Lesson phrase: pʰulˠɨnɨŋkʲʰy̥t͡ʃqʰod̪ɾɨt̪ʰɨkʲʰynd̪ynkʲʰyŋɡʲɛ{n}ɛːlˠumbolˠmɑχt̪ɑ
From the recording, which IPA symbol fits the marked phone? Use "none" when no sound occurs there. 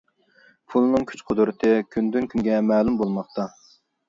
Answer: m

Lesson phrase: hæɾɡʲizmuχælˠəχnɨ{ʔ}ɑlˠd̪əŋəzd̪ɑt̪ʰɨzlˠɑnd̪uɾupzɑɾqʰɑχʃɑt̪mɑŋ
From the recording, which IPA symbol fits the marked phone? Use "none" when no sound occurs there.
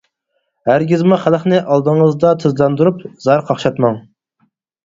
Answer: ʔ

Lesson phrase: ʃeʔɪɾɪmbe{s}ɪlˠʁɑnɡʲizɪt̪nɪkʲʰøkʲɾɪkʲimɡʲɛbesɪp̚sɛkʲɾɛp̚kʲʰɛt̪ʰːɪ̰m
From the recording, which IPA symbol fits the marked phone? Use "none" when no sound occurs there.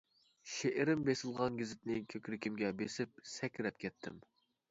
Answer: s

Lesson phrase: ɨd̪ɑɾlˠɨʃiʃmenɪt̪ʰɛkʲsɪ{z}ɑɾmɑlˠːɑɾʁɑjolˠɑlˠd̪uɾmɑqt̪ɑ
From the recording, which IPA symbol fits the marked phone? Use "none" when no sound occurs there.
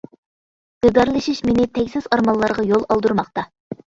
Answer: z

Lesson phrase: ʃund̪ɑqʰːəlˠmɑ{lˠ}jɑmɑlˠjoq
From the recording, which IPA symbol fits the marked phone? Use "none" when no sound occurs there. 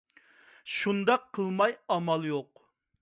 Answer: none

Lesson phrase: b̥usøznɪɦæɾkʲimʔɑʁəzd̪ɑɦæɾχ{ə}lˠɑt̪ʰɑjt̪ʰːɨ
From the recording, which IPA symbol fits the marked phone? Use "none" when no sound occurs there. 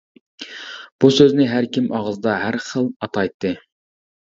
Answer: ə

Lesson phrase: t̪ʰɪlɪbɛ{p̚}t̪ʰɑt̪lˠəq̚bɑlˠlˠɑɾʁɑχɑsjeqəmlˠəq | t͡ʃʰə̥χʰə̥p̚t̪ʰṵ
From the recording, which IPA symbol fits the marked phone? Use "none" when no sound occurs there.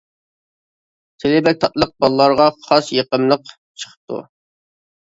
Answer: k̚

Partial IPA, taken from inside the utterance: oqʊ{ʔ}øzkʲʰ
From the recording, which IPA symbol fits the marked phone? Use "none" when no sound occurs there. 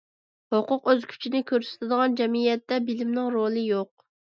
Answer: q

